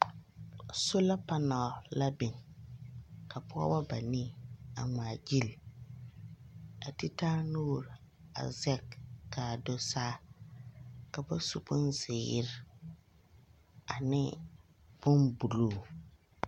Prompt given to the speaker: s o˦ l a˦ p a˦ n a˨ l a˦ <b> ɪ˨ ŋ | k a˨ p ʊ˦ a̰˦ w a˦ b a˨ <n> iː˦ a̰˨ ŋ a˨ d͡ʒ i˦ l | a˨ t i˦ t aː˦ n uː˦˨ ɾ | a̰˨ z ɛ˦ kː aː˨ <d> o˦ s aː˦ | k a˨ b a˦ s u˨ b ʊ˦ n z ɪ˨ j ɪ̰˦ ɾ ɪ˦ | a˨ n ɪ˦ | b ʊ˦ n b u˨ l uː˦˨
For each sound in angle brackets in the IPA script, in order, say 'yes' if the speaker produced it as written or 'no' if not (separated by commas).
yes, yes, yes